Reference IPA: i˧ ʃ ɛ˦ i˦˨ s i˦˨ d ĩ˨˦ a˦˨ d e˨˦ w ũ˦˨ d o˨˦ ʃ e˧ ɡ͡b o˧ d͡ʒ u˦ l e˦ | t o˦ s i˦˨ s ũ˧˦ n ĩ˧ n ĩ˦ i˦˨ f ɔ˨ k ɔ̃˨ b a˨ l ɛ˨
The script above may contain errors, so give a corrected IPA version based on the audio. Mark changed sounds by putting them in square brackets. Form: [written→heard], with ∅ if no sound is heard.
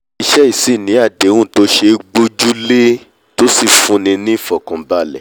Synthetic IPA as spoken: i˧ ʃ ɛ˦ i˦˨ s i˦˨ [d→n] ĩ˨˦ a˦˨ d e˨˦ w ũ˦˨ [d→t] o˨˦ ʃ e˧ ɡ͡b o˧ d͡ʒ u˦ l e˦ | t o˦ s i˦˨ [s→f] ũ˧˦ n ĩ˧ n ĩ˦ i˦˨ f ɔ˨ k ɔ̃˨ b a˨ l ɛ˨